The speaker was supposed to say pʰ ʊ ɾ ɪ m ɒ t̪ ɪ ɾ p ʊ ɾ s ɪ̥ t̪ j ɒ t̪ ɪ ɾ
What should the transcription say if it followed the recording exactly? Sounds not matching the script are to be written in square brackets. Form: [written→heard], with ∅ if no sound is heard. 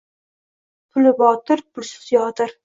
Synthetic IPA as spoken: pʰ ʊ [ɾ→l] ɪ [m→b] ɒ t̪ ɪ ɾ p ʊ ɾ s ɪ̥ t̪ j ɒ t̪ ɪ ɾ